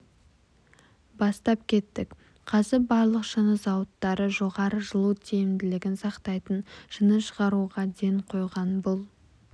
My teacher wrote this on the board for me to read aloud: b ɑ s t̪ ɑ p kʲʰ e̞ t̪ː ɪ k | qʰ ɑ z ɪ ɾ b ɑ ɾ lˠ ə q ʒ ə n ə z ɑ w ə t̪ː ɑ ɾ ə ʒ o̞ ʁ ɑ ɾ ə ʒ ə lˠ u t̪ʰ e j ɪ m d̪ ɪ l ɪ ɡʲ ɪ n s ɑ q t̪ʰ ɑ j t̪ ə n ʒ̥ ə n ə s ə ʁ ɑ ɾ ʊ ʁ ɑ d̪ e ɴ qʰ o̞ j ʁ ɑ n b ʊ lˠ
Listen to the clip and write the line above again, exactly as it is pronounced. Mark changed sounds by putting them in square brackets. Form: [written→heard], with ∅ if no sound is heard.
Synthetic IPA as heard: b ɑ s t̪ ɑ p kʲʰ e̞ t̪ː ɪ k | qʰ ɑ z ɪ ɾ b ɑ ɾ lˠ ə q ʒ ə n ə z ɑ w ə t̪ː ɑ ɾ ə ʒ o̞ ʁ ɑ ɾ ə ʒ ə lˠ u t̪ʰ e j ɪ m d̪ ɪ l ɪ ɡʲ ɪ n s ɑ q [t̪ʰ→t̪] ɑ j t̪ ə n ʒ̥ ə n ə [s→ʃ] ə ʁ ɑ ɾ [ʊ→u] ʁ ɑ d̪ e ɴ qʰ o̞ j ʁ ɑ n b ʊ lˠ